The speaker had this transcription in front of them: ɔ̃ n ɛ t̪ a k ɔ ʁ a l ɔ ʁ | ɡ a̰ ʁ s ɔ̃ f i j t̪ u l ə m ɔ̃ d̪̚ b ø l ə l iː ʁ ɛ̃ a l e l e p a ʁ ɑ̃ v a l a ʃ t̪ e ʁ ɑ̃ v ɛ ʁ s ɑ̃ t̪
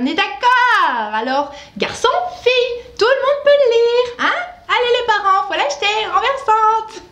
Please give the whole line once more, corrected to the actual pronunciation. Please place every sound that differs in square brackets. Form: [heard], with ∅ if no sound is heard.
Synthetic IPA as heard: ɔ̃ n ɛ [d̪] a k ɔ ʁ a l ɔ ʁ | ɡ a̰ ʁ s ɔ̃ f i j t̪ u l ə m ɔ̃ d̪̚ [p] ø l ə l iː ʁ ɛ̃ a l e l e p a ʁ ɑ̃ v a l a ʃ t̪ e ʁ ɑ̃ v ɛ ʁ s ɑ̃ t̪